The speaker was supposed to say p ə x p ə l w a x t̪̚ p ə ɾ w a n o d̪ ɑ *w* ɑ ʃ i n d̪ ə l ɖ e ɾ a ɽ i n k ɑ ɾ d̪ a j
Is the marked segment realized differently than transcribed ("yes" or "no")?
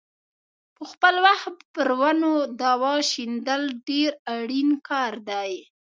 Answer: no